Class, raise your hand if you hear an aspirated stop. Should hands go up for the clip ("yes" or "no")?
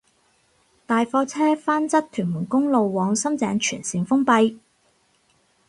yes